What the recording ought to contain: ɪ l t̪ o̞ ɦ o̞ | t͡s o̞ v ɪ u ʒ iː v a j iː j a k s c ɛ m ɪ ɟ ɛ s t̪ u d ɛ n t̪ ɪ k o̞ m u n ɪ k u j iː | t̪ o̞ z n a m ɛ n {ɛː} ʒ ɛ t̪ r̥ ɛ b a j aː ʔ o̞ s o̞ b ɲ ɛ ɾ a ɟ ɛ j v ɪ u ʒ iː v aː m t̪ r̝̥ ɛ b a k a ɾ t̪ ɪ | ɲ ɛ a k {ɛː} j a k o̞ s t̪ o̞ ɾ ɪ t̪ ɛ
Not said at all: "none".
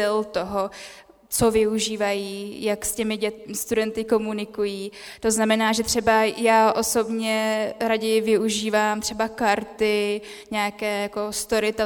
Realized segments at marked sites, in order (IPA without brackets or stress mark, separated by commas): aː, ɛː